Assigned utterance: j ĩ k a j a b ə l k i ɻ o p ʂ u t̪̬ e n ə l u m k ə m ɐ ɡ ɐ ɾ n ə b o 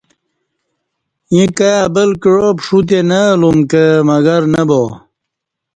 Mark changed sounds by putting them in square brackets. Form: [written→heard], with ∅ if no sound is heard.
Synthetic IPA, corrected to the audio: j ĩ k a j a b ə l k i ɻ o p ʂ u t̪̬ e n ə l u m k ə m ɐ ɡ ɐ ɾ n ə b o